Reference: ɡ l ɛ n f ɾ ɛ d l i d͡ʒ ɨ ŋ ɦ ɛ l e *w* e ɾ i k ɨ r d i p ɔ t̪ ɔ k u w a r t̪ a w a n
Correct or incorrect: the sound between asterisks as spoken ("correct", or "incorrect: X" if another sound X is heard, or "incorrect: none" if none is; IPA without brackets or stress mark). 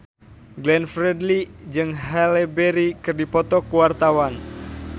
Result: incorrect: b